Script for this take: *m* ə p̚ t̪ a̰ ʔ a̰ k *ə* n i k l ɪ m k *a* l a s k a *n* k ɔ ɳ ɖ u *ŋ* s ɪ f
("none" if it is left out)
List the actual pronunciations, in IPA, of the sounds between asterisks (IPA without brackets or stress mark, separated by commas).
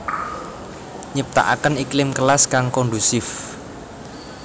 ɲ, ə, ə, ŋ, none